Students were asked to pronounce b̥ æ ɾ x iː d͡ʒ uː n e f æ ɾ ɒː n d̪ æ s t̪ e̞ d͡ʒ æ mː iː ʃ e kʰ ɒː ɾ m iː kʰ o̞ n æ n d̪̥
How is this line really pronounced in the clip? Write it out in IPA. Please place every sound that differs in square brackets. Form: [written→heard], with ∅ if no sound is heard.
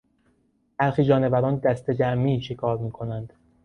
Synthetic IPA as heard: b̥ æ ɾ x iː d͡ʒ [uː→ɒː] n e [f→v] æ ɾ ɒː n d̪ æ s t̪ e̞ d͡ʒ æ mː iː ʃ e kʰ ɒː ɾ m iː kʰ o̞ n æ n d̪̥